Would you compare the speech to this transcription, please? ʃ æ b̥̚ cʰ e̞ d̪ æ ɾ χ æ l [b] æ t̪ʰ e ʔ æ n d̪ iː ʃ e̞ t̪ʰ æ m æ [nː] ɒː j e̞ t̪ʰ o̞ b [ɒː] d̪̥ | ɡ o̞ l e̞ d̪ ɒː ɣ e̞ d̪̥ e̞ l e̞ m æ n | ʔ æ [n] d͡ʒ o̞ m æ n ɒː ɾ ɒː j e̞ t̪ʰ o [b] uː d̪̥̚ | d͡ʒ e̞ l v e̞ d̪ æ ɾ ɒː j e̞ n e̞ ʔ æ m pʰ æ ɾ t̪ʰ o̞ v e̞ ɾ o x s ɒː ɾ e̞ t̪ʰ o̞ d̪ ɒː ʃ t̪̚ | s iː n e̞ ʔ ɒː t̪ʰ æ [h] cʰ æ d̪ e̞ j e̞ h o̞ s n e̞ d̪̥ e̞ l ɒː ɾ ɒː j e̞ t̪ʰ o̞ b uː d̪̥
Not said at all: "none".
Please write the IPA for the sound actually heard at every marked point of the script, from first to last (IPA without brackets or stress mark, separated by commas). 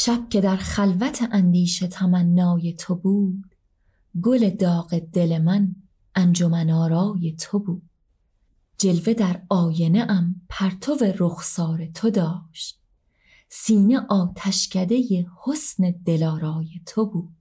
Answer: v, nː, uː, n, b, ʃ